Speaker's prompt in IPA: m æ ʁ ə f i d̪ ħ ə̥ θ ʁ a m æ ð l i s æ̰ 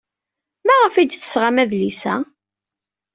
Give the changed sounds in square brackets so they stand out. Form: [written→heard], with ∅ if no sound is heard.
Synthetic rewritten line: m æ ʁ ə f i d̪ [ħ→θ] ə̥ [θ→s] ʁ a m æ ð l i s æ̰